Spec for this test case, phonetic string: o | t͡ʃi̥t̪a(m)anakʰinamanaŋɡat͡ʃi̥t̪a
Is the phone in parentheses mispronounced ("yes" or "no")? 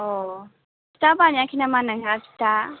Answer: yes